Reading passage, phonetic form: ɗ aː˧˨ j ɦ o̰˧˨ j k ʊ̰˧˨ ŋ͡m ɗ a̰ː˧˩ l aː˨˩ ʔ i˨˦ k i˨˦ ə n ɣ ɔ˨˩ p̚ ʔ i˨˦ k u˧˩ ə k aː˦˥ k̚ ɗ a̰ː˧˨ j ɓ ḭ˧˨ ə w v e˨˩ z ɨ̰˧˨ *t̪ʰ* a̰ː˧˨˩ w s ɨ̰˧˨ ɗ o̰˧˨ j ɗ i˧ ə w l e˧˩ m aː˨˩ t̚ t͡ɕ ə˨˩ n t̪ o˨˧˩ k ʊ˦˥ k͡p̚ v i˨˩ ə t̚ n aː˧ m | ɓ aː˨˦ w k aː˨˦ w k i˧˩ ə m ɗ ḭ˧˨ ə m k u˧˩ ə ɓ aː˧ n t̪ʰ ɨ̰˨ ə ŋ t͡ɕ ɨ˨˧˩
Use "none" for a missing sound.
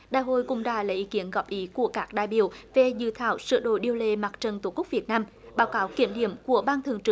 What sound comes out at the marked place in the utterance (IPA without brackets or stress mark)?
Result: t̪ʰ